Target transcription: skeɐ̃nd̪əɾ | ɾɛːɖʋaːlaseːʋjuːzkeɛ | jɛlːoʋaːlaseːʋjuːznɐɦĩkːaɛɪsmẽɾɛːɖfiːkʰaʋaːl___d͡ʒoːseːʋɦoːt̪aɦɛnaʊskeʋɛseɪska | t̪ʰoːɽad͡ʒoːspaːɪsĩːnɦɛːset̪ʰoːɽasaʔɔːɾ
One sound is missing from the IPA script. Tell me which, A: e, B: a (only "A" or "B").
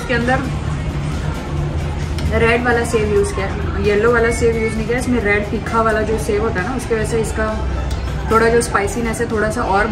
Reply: B